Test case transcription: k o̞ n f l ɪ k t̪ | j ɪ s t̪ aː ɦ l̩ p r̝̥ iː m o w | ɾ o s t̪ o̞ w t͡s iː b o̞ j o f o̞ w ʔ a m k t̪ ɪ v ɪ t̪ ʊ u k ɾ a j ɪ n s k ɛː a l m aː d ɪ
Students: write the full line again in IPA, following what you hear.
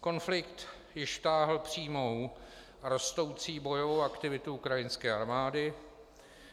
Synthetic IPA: k o̞ n f l ɪ k t̪ | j ɪ ʃ t̪ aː ɦ l̩ p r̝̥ iː m o w | ɾ o s t̪ o̞ w t͡s iː b o̞ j o v o̞ w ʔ a k t̪ ɪ v ɪ t̪ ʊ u k ɾ a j ɪ n s k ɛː a ɾ m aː d ɪ